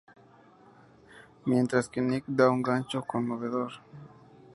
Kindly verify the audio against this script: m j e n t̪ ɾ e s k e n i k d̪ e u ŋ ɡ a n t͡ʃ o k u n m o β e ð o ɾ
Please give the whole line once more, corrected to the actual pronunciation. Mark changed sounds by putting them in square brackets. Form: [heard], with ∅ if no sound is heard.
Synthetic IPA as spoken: m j e n t̪ ɾ [a] s k e n i k d̪ [a] u ŋ ɡ a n t͡ʃ o k [o] n m o β e ð o ɾ

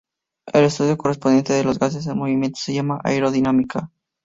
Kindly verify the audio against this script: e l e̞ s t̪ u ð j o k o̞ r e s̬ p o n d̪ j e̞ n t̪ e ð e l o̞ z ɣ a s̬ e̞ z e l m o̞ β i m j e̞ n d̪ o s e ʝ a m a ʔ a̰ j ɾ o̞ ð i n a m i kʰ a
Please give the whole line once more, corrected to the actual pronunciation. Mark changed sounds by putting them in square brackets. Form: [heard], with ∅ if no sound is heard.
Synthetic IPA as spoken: e l e̞ s t̪ u ð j o k o̞ r e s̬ p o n d̪ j e̞ n t̪ e ð e l o̞ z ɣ a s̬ e̞ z e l m o̞ β i m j e̞ n [t̪] o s e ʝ a m a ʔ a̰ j ɾ o̞ ð i n a m i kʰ a

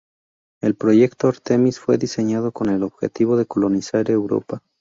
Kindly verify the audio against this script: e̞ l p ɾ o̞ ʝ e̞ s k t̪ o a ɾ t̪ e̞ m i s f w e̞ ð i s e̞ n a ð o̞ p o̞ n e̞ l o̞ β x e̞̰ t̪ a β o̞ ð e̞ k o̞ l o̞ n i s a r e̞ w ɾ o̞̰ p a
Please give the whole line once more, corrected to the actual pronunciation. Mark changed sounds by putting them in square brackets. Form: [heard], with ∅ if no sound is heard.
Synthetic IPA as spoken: e̞ l p ɾ o̞ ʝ e̞ [∅] k t̪ o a ɾ t̪ e̞ m i s f w e̞ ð i s e̞ [ɲ] a ð o̞ [k] o̞ n e̞ l o̞ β x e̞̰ t̪ [i] β o̞ ð e̞ k o̞ l o̞ n i s a [ɾ] e̞ w ɾ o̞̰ p a

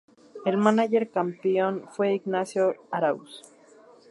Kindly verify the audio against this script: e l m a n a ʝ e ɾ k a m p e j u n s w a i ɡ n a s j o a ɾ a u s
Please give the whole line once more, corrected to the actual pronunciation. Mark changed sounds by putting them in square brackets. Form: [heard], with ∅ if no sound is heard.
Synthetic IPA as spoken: e l m a n a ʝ e ɾ k a m p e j [o] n [f] w [e] i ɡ n a s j o a ɾ a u s

